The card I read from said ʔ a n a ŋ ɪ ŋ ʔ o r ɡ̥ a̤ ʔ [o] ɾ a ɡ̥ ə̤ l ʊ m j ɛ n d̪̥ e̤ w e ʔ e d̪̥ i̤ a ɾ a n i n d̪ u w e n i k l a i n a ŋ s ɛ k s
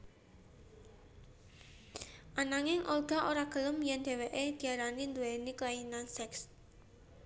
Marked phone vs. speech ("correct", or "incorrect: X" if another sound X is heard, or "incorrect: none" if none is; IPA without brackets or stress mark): correct